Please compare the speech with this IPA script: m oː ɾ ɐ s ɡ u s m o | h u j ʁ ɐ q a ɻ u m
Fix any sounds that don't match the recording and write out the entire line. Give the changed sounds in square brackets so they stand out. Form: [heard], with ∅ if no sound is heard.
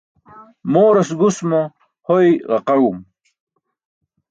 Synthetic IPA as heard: m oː ɾ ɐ s ɡ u s m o | h [o] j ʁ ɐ q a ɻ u m